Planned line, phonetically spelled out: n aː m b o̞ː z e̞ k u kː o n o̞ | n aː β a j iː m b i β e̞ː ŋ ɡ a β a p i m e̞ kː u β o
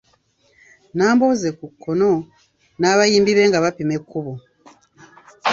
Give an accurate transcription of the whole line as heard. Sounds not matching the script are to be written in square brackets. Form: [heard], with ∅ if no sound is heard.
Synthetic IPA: n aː m b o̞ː z e̞ k u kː o n o̞ | n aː β a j iː m b i β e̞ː ŋ ɡ a β a p i m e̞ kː u β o